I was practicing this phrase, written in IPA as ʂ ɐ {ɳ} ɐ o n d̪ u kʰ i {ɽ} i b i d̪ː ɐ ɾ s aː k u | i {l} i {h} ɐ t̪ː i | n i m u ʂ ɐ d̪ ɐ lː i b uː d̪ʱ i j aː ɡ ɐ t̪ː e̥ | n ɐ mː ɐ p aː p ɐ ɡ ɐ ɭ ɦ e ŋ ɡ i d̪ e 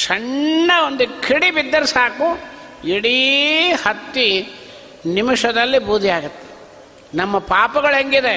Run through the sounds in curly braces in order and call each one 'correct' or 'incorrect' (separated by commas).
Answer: incorrect, correct, incorrect, correct